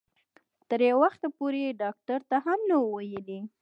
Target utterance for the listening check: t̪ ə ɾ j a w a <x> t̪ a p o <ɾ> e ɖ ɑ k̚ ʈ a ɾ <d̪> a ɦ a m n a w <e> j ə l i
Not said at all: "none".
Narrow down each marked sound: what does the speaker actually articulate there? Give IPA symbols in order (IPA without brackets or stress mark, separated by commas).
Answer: x, ɾ, t̪, a